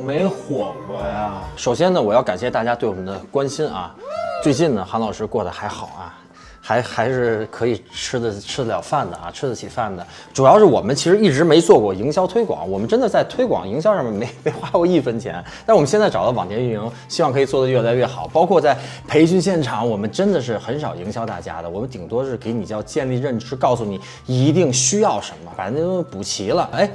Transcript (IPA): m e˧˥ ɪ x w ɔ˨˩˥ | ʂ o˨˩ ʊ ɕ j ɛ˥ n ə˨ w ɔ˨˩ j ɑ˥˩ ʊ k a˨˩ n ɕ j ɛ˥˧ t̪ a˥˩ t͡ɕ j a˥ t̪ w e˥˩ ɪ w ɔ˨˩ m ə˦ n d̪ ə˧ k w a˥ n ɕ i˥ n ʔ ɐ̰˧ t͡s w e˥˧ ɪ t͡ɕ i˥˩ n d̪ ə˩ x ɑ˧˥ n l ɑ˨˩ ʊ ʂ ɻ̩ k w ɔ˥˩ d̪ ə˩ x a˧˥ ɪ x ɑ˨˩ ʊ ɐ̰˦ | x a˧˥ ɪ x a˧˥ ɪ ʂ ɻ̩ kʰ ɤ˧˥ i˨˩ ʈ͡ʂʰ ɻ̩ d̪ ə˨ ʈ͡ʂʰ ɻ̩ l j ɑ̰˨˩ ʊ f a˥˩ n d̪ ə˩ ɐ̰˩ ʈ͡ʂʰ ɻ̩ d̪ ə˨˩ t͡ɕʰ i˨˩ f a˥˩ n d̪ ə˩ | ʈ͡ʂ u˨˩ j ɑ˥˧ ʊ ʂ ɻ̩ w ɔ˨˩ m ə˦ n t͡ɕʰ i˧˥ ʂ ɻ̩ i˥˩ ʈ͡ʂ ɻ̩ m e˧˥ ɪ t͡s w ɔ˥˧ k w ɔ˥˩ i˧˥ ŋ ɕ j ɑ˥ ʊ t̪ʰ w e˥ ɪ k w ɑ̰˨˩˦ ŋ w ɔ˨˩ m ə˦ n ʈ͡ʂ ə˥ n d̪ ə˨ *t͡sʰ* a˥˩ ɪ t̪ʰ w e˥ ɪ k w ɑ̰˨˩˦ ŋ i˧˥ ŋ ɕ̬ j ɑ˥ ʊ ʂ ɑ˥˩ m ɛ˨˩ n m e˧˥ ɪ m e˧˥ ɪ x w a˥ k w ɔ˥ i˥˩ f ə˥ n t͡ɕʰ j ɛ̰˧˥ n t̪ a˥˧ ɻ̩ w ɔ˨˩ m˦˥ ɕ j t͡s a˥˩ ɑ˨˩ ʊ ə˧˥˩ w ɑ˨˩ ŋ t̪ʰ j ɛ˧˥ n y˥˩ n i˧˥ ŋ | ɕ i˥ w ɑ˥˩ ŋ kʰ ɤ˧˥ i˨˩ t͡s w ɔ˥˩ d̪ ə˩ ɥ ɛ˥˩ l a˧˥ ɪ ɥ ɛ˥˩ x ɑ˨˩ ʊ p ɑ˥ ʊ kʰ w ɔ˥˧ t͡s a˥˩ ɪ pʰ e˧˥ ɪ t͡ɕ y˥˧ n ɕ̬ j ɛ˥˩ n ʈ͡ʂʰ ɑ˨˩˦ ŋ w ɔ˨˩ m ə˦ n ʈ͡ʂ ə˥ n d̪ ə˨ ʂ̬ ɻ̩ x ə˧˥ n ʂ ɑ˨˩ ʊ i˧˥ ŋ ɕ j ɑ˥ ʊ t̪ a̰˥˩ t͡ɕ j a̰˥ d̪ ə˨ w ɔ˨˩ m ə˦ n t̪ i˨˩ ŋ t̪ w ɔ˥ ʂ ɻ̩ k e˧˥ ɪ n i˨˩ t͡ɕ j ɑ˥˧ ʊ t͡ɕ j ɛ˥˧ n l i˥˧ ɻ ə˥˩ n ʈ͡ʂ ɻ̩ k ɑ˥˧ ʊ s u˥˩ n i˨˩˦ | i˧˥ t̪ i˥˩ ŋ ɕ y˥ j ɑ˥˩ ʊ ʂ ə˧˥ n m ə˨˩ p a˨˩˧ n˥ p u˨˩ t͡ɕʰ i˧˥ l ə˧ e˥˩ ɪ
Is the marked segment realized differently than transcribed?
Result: yes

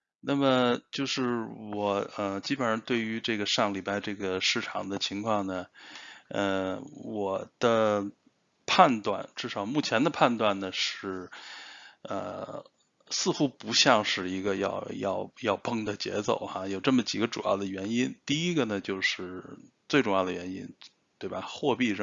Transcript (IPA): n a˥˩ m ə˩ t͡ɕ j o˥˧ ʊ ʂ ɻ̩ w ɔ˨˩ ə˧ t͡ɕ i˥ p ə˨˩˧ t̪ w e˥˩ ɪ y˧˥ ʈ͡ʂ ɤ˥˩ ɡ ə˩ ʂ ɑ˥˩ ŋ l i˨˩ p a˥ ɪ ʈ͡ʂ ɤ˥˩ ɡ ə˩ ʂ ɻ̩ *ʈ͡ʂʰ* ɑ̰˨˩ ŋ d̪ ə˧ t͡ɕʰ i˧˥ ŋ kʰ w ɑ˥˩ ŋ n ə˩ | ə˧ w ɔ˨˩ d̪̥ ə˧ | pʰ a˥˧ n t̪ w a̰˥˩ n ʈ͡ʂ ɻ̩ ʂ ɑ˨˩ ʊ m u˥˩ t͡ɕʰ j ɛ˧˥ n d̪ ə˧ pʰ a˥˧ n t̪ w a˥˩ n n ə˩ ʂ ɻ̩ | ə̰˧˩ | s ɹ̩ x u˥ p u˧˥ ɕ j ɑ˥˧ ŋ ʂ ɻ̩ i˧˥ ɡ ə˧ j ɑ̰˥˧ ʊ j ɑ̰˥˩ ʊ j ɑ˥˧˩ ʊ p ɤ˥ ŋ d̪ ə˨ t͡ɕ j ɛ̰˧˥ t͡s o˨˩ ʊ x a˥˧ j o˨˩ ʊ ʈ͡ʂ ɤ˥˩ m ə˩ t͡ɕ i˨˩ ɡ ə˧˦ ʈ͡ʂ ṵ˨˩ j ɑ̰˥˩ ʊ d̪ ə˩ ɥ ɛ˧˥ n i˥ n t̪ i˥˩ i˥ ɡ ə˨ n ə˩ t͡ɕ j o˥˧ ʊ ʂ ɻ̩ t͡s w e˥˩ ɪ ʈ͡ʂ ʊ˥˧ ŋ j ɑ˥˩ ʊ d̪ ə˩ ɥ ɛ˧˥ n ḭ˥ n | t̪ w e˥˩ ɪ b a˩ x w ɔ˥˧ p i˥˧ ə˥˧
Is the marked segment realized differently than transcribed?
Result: no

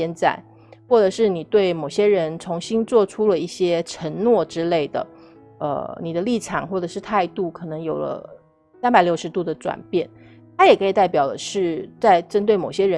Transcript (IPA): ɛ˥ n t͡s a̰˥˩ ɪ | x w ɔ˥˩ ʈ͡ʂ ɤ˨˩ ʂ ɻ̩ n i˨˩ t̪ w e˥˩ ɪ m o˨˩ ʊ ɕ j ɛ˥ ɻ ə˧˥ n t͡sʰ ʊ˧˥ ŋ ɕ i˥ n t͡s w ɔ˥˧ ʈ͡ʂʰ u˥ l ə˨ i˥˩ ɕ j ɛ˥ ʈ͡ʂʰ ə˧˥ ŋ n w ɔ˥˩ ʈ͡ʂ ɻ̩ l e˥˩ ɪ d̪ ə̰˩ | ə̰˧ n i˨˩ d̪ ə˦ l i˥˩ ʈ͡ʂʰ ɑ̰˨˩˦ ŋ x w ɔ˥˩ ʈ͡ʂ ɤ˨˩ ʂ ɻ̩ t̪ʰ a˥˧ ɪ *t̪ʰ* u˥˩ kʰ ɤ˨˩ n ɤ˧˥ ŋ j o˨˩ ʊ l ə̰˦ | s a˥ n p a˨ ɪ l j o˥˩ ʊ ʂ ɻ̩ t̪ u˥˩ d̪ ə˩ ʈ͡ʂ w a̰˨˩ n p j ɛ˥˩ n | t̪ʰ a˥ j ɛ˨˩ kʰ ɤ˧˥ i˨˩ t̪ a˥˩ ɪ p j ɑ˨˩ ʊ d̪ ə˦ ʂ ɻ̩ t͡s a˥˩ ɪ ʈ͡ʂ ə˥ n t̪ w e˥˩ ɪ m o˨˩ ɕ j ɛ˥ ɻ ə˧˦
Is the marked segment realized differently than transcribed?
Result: yes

